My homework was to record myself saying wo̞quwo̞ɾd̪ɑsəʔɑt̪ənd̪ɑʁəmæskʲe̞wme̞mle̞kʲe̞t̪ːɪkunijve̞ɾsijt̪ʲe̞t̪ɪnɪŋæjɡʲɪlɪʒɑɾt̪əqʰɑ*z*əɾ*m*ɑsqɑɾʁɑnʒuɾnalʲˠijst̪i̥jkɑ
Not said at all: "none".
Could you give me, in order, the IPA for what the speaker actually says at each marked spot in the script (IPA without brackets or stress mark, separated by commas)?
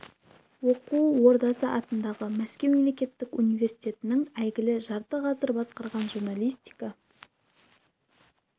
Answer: z, b